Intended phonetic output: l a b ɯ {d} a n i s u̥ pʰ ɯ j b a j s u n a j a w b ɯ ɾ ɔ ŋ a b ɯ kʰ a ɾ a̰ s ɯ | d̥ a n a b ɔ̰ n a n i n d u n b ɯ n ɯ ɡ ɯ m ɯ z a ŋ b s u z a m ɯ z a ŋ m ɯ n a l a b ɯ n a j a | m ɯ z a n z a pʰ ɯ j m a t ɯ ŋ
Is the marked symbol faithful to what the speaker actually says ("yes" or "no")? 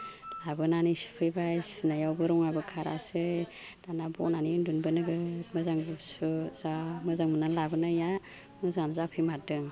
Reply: no